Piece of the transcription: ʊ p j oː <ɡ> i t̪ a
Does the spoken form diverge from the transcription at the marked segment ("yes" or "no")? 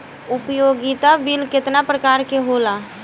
no